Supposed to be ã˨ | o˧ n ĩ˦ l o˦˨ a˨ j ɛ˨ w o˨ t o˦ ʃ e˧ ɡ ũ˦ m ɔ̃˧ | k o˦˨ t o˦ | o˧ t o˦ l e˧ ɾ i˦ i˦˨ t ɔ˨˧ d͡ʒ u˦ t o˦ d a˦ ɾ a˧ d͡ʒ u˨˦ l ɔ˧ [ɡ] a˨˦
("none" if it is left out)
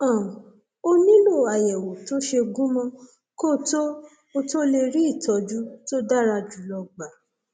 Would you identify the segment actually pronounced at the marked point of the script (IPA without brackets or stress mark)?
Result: ɡ͡b